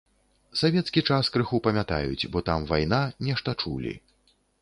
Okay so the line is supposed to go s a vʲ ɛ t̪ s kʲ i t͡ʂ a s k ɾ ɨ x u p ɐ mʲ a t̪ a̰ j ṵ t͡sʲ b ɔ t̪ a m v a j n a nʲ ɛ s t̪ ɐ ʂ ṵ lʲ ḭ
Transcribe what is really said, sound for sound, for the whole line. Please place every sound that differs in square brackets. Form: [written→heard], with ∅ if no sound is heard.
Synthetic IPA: s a vʲ ɛ t̪ s kʲ i t͡ʂ a s k ɾ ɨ x u p ɐ mʲ a t̪ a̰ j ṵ t͡sʲ b ɔ t̪ a m v a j n a nʲ ɛ [s→ʂ] t̪ ɐ [ʂ→t͡ʂ] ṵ lʲ ḭ